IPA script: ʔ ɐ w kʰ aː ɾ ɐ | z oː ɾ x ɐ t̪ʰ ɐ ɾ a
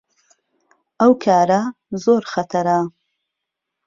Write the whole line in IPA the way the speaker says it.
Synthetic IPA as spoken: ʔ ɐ w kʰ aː ɾ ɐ | z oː ɾ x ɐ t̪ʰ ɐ ɾ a